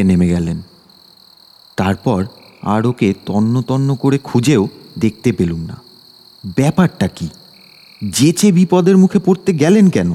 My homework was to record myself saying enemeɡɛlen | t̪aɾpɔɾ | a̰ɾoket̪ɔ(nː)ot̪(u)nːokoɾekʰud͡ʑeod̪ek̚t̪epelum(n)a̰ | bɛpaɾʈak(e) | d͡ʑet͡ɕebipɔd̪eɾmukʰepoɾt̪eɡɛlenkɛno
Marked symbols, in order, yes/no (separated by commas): yes, no, yes, no